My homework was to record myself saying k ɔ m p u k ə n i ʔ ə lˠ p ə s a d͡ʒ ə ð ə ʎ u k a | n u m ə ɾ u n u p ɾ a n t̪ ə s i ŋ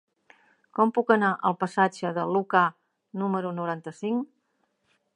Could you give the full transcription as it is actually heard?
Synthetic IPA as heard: k ɔ m p u k ə n a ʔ ə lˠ p ə s a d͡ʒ ə ð ə l u k a | n u m ə ɾ u n u ɾ a n t̪ ə s i ŋ